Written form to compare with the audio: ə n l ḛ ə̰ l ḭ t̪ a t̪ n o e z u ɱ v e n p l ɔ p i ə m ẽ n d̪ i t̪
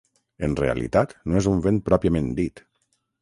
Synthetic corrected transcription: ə n r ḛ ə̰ l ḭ t̪ a t̪ n o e z u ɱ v e n p ɾ ɔ p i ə m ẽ n d̪ i t̪